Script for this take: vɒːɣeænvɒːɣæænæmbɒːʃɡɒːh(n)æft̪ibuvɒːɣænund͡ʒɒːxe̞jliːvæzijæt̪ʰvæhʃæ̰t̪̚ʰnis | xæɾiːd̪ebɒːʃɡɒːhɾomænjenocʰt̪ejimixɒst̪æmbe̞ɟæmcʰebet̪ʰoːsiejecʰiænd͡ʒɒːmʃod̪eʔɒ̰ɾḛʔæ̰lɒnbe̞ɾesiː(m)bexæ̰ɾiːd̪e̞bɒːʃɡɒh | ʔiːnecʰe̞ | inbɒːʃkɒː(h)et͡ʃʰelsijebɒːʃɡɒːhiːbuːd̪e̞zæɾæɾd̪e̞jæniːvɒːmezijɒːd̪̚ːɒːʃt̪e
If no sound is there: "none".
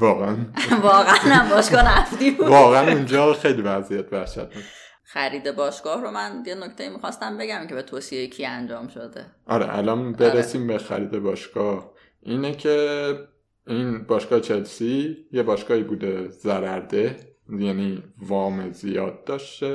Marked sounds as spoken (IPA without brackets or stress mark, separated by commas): n, m, h